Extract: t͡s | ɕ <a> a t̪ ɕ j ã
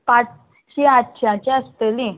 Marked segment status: incorrect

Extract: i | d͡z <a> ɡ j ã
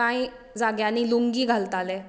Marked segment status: correct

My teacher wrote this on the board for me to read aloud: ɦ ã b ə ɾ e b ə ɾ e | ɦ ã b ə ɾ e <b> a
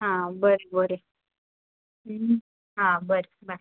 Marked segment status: correct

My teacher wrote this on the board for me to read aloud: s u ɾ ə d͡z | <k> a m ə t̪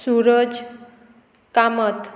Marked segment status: correct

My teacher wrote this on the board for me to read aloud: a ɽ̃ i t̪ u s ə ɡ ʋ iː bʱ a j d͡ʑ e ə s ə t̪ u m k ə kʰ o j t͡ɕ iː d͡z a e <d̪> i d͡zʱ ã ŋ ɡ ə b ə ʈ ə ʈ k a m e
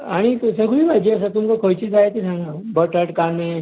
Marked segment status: incorrect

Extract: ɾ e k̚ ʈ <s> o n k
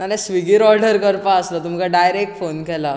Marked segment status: incorrect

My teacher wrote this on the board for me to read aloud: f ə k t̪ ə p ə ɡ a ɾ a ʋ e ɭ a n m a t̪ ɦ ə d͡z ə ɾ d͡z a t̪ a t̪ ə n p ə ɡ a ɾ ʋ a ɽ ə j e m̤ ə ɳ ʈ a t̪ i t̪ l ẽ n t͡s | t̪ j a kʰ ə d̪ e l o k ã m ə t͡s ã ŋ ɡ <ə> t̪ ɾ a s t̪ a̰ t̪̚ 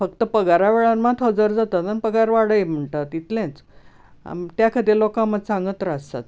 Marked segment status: correct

